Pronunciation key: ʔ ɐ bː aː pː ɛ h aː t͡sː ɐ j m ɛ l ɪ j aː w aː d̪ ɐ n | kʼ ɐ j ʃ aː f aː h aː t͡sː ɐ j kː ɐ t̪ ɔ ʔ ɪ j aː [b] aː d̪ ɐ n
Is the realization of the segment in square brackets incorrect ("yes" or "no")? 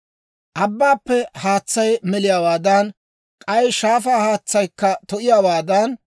yes